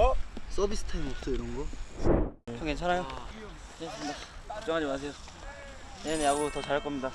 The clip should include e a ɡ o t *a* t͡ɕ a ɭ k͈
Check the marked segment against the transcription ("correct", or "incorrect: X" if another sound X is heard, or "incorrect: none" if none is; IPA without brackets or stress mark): incorrect: ʌ